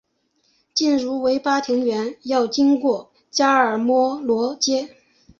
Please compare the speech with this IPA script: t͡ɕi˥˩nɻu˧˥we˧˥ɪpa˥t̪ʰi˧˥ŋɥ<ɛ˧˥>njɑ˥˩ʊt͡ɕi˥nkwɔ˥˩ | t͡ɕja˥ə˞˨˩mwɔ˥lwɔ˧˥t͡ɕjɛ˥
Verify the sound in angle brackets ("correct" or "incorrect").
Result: correct